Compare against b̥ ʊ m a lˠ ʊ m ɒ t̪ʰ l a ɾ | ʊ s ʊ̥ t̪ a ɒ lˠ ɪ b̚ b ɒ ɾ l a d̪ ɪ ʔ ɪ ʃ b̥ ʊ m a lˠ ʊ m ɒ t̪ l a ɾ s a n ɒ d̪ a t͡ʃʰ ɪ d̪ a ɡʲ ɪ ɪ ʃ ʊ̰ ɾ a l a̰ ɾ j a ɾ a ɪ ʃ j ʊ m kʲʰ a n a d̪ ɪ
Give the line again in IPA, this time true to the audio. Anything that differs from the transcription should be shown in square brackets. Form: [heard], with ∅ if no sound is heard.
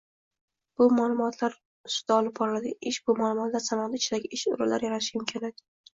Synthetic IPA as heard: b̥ ʊ m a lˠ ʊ m ɒ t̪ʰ l a ɾ | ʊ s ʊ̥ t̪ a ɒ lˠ ɪ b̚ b ɒ ɾ l a d̪ ɪ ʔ ɪ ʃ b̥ ʊ m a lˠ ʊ m ɒ t̪ l a ɾ s a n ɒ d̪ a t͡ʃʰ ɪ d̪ a ɡʲ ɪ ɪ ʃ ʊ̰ ɾ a l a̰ ɾ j a ɾ a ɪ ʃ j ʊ m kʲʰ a n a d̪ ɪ